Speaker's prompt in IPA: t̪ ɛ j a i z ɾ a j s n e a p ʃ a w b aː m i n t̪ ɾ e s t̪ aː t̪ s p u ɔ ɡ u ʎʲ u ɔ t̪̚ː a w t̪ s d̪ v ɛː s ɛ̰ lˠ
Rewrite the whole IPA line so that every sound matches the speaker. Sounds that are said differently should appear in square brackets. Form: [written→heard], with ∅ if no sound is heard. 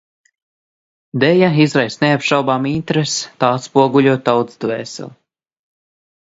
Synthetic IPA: [t̪→d̪] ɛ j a i z ɾ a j s n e a p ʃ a w b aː m i n t̪ ɾ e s t̪ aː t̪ s p u ɔ ɡ u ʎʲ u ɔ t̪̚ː a w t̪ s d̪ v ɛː s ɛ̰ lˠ